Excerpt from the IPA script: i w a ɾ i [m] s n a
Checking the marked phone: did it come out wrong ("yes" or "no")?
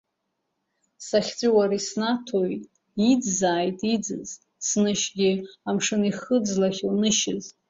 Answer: yes